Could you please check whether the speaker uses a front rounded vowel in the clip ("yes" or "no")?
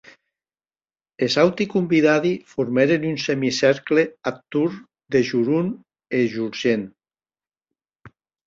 yes